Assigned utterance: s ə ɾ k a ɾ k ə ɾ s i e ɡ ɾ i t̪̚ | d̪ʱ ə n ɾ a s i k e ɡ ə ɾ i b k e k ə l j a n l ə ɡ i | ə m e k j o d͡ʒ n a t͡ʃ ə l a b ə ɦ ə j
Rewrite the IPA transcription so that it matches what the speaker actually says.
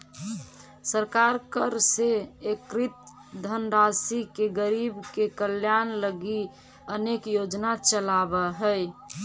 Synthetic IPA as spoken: s ə ɾ k a ɾ k ə ɾ s e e k ɾ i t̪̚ | d̪ʱ ə n ɾ a s i k e ɡ ə ɾ i b k e k ə l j a n l ə ɡ i | ə n e k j o d͡ʒ n a t͡ʃ ə l a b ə ɦ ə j